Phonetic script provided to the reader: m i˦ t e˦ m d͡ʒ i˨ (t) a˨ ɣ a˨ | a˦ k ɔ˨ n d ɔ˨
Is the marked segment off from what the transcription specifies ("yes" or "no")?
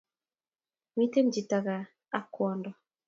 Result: no